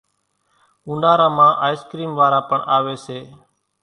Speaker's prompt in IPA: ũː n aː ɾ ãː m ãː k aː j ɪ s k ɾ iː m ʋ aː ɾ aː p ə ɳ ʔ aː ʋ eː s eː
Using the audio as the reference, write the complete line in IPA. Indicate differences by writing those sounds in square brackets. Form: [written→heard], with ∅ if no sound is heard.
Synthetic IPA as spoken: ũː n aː ɾ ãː m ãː [k→ʔ] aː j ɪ s k ɾ iː m ʋ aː ɾ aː p ə ɳ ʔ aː ʋ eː s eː